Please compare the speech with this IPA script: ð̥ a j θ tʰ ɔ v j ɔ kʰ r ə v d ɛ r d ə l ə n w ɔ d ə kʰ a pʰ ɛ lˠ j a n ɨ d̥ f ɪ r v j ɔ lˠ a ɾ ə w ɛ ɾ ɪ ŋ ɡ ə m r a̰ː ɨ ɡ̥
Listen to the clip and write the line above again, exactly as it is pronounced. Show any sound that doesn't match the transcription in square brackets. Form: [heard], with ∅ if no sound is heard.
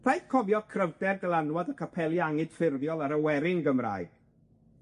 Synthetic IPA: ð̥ a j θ [kʰ] ɔ v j ɔ kʰ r ə v d ɛ r d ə l [a] n w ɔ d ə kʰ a pʰ ɛ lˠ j a [ŋ] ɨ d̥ f ɪ r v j ɔ lˠ a ɾ ə w ɛ ɾ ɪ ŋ ɡ ə m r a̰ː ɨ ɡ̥